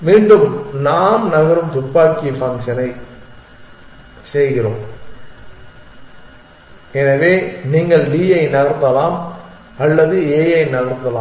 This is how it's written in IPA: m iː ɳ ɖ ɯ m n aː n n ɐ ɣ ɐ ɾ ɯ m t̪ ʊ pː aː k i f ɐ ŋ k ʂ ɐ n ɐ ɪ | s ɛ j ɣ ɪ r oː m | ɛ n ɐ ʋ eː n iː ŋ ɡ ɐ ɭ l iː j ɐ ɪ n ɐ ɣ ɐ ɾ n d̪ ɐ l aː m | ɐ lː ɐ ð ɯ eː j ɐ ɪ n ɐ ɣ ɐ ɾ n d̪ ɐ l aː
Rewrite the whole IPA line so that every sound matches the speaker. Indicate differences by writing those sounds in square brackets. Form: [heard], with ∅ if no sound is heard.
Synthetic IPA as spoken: m iː ɳ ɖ ɯ m n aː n n ɐ ɣ ɐ ɾ ɯ m t̪ ʊ pː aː k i f ɐ ŋ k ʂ ɐ n ɐ ɪ | s ɛ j ɣ ɪ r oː m | ɛ n ɐ ʋ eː n iː ŋ ɡ ɐ ɭ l iː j ɐ ɪ n ɐ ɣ ɐ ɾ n d̪ ɐ l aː m | ɐ lː ɐ ð ɯ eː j ɐ ɪ n ɐ ɣ ɐ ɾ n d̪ ɐ l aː

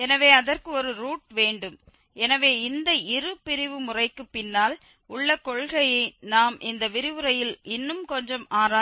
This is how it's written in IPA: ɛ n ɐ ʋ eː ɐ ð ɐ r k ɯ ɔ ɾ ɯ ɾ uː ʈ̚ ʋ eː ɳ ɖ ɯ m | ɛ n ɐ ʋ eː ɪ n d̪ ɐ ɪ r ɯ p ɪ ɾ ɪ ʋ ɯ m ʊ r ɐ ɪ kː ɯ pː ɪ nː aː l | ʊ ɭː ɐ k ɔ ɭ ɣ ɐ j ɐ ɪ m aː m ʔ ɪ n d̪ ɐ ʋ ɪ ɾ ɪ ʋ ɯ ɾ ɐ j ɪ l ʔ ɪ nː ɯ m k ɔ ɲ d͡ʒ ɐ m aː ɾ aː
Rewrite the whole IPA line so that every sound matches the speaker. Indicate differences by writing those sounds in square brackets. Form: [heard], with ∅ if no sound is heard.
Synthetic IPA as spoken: ɛ n ɐ ʋ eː ɐ ð ɐ r k ɯ ɔ ɾ ɯ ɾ uː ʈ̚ ʋ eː ɳ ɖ ɯ m | ɛ n ɐ ʋ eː ɪ n d̪ ɐ ɪ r ɯ p ɪ ɾ ɪ ʋ ɯ m ʊ r ɐ ɪ kː ɯ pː ɪ nː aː l | ʊ ɭː ɐ k ɔ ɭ ɣ ɐ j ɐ ɪ [n] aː m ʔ ɪ n d̪ ɐ ʋ ɪ ɾ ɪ ʋ ɯ ɾ ɐ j ɪ l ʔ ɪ nː ɯ m k ɔ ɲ d͡ʒ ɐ m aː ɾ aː

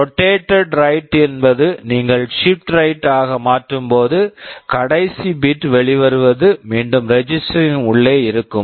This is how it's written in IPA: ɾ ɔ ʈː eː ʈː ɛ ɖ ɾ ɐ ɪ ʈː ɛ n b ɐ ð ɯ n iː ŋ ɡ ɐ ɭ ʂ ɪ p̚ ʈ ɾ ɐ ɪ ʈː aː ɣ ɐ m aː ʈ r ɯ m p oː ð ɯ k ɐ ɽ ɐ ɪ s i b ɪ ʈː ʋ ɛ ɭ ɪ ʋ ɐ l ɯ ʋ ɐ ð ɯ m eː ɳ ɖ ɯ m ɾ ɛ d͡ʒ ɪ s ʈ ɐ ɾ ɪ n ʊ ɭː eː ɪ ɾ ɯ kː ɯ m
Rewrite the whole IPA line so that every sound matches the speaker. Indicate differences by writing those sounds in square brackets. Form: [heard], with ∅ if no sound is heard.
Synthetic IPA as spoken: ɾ ɔ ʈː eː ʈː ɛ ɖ ɾ ɐ ɪ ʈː ɛ n b ɐ ð ɯ n iː ŋ ɡ ɐ ɭ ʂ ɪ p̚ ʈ ɾ ɐ ɪ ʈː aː ɣ ɐ m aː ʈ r ɯ m p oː ð ɯ k ɐ ɽ ɐ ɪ s i b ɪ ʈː ʋ ɛ ɭ ɪ ʋ ɐ [ɾ] ɯ ʋ ɐ ð ɯ m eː ɳ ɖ ɯ m ɾ ɛ d͡ʒ ɪ s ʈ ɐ ɾ ɪ n ʊ ɭː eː ɪ ɾ ɯ kː ɯ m

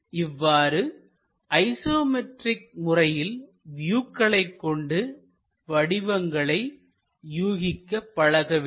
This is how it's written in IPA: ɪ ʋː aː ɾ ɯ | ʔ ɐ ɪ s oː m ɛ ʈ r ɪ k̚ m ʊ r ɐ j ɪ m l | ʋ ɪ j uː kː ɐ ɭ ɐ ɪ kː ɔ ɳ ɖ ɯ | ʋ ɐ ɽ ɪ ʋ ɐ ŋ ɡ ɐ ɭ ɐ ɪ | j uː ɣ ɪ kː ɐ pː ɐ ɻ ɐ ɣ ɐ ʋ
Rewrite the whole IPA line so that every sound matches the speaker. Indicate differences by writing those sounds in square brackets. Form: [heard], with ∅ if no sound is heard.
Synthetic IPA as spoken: ɪ ʋː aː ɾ ɯ | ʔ ɐ ɪ s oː m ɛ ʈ r ɪ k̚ m ʊ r ɐ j ɪ [∅] l | ʋ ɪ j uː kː ɐ ɭ ɐ ɪ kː ɔ ɳ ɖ ɯ | ʋ ɐ ɽ ɪ ʋ ɐ ŋ ɡ ɐ ɭ ɐ ɪ | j uː ɣ ɪ kː ɐ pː ɐ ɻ ɐ ɣ ɐ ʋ

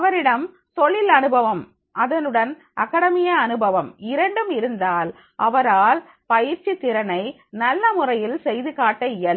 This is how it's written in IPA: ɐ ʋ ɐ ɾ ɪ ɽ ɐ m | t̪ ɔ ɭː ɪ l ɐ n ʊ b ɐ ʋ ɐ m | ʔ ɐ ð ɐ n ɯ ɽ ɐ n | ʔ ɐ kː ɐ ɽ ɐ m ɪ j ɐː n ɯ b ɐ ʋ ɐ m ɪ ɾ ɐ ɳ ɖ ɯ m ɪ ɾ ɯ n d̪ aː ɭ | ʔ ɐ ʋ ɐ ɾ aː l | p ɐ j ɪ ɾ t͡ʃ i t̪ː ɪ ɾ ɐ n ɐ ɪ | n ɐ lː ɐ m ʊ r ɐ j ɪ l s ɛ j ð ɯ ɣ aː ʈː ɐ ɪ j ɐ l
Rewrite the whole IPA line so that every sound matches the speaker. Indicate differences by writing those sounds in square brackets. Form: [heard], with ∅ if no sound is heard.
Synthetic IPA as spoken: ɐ ʋ ɐ ɾ ɪ ɽ ɐ m | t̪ ɔ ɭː ɪ l ɐ n [ɯ] b ɐ ʋ ɐ m | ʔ ɐ ð ɐ n ɯ ɽ ɐ n | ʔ ɐ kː ɐ ɽ ɐ m ɪ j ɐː n ɯ b ɐ ʋ ɐ m ɪ ɾ ɐ ɳ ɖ ɯ m ɪ ɾ ɯ n d̪ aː [l] | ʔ ɐ ʋ ɐ ɾ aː l | p ɐ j ɪ ɾ t͡ʃ i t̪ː ɪ ɾ ɐ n ɐ ɪ | n ɐ lː ɐ m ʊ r ɐ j ɪ l s ɛ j ð ɯ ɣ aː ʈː ɐ ɪ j ɐ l

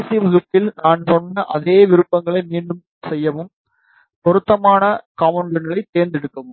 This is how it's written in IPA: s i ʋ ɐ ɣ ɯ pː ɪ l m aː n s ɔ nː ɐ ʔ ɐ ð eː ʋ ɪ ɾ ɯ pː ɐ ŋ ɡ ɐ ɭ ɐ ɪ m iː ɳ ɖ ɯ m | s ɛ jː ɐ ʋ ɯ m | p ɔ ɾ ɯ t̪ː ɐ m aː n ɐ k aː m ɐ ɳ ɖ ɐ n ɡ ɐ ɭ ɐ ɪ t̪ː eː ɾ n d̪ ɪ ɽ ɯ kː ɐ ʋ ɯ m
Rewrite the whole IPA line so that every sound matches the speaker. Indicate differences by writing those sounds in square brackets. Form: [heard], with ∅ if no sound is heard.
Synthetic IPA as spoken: s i ʋ ɐ ɣ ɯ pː ɪ l [n] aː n s ɔ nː ɐ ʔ ɐ ð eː ʋ ɪ ɾ ɯ pː ɐ ŋ ɡ ɐ ɭ ɐ ɪ m iː ɳ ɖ ɯ m | s ɛ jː ɐ ʋ ɯ m | p ɔ ɾ ɯ t̪ː ɐ m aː n ɐ k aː m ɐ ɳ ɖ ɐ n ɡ ɐ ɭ ɐ ɪ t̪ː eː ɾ n d̪ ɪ ɽ ɯ kː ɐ ʋ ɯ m

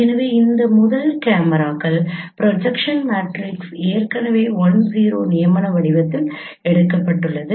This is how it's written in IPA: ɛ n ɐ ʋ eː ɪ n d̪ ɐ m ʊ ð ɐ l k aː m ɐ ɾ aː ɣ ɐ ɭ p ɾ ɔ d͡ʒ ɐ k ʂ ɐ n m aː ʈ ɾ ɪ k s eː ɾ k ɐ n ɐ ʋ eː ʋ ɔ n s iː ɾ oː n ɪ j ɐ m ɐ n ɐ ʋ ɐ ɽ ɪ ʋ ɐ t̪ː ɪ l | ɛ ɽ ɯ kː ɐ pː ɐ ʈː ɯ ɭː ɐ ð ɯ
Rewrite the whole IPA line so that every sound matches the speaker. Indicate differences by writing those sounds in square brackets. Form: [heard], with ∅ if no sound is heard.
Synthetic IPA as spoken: ɛ n ɐ ʋ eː ɪ n d̪ ɐ m ʊ ð ɐ l k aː m ɐ ɾ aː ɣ ɐ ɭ p ɾ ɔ d͡ʒ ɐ k ʂ ɐ n m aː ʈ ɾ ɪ k s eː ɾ k ɐ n ɐ ʋ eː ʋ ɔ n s iː ɾ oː n ɪ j ɐ m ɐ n ɐ ʋ ɐ ɽ ɪ ʋ ɐ t̪ː ɪ l | ɛ ɽ ɯ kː ɐ pː ɐ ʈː ɯ ɭː ɐ ð ɯ

